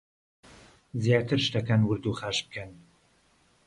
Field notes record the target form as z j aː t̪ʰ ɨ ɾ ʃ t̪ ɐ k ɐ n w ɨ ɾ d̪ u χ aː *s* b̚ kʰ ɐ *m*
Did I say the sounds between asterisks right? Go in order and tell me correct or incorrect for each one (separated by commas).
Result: incorrect, incorrect